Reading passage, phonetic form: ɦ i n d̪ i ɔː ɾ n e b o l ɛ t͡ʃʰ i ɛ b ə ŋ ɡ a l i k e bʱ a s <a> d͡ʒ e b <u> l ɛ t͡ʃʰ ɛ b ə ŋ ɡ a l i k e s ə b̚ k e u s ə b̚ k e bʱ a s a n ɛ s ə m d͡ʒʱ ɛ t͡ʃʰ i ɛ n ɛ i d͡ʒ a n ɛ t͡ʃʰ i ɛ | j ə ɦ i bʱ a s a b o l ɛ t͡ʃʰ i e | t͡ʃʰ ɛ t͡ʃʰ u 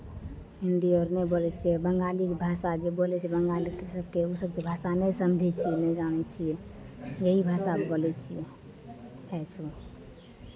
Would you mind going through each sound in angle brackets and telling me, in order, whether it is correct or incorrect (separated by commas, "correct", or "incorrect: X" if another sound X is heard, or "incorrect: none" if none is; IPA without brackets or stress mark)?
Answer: correct, incorrect: o